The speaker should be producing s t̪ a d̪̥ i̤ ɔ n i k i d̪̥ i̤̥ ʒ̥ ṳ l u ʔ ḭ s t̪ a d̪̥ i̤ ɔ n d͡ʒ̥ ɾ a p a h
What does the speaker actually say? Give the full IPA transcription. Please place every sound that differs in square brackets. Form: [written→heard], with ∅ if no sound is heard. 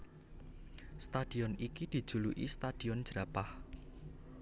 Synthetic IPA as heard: s t̪ a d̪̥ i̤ ɔ n i k i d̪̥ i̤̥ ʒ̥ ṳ l u ʔ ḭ s t̪ a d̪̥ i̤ ɔ n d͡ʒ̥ ɾ a p a h